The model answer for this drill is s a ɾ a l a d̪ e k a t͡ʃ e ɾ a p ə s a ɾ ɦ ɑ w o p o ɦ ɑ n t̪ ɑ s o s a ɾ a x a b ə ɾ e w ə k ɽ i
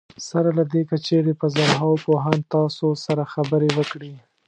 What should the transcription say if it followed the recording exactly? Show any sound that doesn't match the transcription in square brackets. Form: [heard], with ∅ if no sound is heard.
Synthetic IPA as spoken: s a ɾ a l a d̪ e k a t͡ʃ e ɾ [e] p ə [z] a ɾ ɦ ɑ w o p o ɦ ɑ n t̪ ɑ s o s a ɾ a x a b ə ɾ e w ə k ɽ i